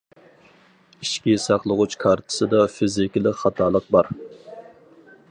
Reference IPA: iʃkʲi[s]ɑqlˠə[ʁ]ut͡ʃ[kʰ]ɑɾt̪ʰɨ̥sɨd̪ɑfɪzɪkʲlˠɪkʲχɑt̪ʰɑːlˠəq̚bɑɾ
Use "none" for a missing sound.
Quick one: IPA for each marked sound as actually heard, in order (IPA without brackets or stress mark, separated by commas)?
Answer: s, ʁ, kʰ